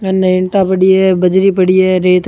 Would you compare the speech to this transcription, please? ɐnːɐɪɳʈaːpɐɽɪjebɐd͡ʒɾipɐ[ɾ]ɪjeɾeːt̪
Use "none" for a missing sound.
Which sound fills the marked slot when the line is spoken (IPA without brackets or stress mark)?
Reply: ɽ